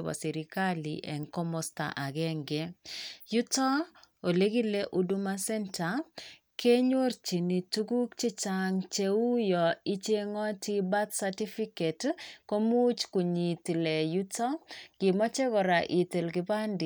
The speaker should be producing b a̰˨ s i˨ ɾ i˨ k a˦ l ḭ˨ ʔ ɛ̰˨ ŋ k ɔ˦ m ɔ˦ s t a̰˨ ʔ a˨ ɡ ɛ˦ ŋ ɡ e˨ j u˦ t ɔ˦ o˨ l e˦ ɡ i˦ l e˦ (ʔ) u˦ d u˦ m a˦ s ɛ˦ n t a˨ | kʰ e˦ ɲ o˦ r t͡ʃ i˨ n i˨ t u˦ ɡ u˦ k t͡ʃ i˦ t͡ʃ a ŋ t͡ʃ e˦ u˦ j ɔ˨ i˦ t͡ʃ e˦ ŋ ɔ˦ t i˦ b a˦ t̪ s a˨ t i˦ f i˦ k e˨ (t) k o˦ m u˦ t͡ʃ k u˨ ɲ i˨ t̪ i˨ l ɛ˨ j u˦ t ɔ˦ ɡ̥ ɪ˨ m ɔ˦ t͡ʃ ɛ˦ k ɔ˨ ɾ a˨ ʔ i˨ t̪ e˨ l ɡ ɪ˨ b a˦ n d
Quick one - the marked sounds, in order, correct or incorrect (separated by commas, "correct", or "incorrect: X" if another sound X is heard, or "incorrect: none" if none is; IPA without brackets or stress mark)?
correct, correct